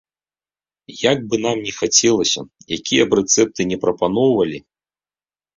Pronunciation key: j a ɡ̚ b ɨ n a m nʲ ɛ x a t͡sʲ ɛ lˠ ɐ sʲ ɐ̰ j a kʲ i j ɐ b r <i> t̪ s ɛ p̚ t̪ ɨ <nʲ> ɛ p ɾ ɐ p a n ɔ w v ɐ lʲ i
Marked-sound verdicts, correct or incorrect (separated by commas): incorrect, correct